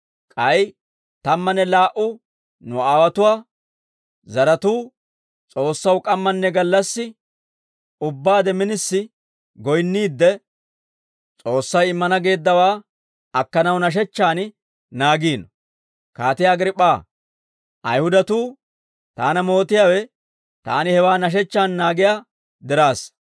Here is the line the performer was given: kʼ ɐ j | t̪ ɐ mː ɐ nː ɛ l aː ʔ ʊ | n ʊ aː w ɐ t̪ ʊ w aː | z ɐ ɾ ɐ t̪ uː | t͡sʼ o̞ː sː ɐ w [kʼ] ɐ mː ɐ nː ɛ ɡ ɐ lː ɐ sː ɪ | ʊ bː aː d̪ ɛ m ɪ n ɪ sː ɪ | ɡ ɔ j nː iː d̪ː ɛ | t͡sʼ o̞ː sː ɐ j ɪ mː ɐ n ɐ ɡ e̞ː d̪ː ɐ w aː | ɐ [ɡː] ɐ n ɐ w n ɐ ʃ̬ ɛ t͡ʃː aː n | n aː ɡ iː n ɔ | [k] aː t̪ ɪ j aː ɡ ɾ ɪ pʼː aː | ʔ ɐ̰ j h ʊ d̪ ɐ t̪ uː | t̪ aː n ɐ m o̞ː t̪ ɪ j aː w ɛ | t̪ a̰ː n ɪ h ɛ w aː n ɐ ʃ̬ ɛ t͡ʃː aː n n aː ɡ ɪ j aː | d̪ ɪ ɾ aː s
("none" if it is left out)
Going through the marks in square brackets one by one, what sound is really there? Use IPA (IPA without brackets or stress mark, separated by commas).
kʼ, kː, k